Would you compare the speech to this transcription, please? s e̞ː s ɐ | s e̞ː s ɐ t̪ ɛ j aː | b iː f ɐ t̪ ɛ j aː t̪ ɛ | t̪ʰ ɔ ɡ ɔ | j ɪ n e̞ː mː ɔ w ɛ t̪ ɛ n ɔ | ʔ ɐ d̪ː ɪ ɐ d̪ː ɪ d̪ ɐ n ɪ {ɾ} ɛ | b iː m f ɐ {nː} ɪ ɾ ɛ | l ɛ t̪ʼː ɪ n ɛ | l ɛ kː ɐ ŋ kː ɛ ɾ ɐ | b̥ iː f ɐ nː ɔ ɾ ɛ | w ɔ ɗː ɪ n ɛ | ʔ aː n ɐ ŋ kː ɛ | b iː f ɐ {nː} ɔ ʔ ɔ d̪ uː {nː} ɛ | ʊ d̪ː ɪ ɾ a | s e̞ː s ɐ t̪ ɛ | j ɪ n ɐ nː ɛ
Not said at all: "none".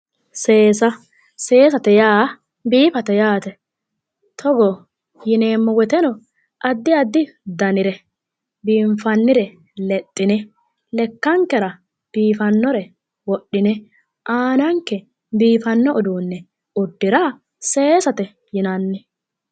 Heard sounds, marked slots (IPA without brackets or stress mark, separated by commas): ɾ, nː, nː, nː